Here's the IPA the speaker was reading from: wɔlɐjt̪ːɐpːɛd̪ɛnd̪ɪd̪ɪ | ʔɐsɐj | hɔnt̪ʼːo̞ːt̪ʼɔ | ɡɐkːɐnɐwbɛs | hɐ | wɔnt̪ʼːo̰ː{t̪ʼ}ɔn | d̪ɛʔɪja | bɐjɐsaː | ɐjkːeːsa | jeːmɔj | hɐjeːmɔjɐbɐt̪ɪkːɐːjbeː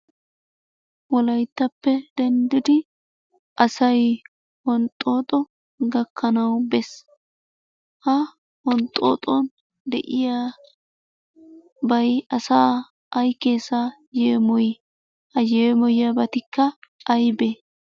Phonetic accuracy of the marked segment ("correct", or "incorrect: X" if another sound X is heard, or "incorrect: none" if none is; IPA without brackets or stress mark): correct